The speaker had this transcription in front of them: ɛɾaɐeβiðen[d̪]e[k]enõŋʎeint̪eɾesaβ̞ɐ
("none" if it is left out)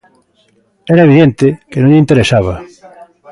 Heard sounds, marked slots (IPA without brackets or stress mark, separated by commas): t̪, k